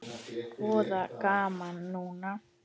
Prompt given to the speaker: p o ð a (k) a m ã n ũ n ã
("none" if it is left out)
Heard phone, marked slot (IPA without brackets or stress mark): k